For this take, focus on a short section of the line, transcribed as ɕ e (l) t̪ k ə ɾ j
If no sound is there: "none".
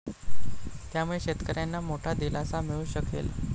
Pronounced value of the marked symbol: none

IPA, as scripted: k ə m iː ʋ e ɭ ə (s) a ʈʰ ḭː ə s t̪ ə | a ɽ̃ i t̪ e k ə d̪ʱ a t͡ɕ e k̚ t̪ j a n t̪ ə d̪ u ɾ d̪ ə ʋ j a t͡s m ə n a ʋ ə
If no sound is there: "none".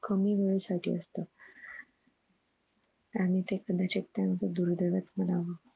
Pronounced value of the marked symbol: s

